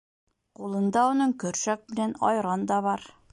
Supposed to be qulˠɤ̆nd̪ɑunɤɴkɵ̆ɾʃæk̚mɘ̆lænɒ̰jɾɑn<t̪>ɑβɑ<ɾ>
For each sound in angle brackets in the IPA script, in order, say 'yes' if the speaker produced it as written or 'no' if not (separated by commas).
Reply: no, yes